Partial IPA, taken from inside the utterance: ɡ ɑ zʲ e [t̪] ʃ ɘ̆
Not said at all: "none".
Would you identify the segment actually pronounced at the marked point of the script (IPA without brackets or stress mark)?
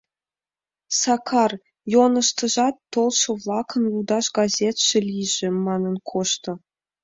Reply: t̪